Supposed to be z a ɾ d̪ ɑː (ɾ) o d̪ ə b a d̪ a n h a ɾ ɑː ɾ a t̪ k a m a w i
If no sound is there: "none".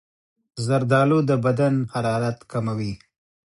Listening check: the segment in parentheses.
l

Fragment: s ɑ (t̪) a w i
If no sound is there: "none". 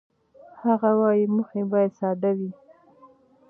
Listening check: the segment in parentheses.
d̪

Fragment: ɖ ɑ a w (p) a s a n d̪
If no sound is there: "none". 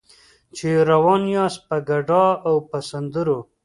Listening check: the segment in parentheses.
p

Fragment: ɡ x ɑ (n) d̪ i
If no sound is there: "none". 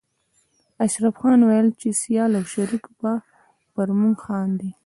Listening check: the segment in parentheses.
n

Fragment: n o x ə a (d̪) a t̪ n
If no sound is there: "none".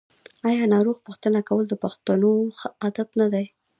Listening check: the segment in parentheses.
d̪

